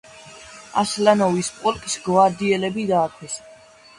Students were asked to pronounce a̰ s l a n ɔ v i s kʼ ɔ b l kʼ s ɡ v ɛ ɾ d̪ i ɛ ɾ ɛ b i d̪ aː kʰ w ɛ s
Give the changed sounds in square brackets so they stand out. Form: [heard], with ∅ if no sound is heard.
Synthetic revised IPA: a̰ s l a n ɔ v i s [pʼ] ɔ [∅] l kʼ s ɡ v [a] ɾ d̪ i ɛ [l] ɛ b i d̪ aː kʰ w ɛ s

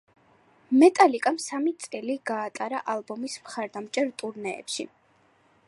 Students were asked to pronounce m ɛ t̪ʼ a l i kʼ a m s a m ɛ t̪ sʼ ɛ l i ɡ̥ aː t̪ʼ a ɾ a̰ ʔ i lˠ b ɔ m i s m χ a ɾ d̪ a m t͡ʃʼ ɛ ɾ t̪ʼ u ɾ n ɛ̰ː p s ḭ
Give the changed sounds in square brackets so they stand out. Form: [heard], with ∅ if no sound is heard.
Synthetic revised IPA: m ɛ t̪ʼ a l i kʼ a m s a m [i] t̪ sʼ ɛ l i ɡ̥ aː t̪ʼ a ɾ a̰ ʔ [a] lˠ b ɔ m i s m χ a ɾ d̪ a m t͡ʃʼ ɛ ɾ t̪ʼ u ɾ n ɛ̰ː p [ʃ] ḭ

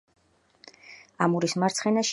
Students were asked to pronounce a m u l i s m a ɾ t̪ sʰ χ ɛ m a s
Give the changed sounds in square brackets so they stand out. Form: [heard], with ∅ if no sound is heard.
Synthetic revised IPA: a m u [ɾ] i s m a ɾ t̪ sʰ χ ɛ [n] a [ʃ]

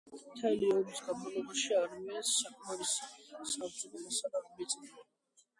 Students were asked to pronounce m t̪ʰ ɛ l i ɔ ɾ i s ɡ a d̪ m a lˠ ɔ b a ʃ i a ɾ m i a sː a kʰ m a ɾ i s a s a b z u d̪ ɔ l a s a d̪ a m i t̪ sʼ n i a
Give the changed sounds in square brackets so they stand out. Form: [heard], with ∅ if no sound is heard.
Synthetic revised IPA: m t̪ʰ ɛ l i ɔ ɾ i s ɡ a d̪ m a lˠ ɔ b a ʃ i a ɾ m i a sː a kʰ m a ɾ i s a s a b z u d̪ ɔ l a s a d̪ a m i t̪ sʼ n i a

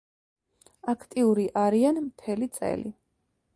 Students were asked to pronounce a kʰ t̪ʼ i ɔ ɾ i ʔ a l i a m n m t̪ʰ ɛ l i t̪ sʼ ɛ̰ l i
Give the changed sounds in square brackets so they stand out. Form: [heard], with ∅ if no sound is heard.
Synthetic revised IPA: a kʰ t̪ʼ i [u] ɾ i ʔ a [ɾ] i a [∅] n m t̪ʰ ɛ l i t̪ sʼ ɛ̰ l i

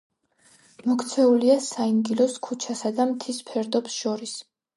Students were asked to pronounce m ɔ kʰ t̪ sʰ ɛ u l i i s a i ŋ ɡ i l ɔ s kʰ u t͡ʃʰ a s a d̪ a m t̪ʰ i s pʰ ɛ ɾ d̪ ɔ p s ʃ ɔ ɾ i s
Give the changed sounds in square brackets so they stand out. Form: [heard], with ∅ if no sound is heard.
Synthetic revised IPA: m ɔ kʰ t̪ sʰ ɛ u l i [a] s a i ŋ ɡ i l ɔ s kʰ u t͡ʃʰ a s a d̪ a m t̪ʰ i s pʰ ɛ ɾ d̪ ɔ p s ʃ ɔ ɾ i s

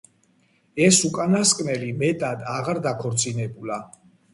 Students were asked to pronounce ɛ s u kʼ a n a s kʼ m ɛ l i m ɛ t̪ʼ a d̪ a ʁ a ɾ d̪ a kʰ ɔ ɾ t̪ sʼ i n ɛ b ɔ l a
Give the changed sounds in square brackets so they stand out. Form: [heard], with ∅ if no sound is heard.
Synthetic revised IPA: ɛ s u kʼ a n a s kʼ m ɛ l i m ɛ t̪ʼ a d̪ a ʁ a ɾ d̪ a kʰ ɔ ɾ t̪ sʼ i n ɛ b [u] l a

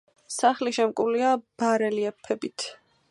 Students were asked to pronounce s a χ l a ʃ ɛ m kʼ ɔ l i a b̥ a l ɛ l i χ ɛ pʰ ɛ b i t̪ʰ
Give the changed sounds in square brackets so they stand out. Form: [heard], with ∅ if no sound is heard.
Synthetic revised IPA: s a χ l [i] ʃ ɛ m kʼ [u] l i a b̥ a [ɾ] ɛ l i [∅] ɛ pʰ ɛ b i t̪ʰ

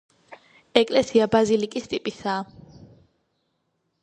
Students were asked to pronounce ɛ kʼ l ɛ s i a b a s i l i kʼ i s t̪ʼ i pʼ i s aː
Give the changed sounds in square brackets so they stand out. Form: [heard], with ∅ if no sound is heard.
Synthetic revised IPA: ɛ kʼ l ɛ s i a b a [z] i l i kʼ i s t̪ʼ i pʼ i s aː

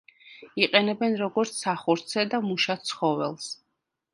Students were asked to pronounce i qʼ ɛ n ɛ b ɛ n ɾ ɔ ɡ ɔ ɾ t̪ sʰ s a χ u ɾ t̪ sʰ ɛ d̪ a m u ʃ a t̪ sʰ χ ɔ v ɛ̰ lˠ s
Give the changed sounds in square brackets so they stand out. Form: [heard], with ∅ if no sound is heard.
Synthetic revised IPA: i qʼ ɛ n ɛ b ɛ n ɾ ɔ ɡ ɔ ɾ t̪ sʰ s a χ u ɾ t̪ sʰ ɛ d̪ a m u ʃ a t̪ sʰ χ ɔ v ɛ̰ lˠ s

